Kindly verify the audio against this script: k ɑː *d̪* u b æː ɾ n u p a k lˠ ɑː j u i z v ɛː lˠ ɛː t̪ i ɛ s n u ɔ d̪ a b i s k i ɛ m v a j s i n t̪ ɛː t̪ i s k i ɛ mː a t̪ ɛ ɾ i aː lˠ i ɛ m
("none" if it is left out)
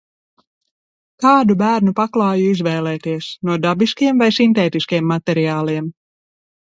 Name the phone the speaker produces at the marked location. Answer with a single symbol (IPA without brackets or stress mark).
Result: d̪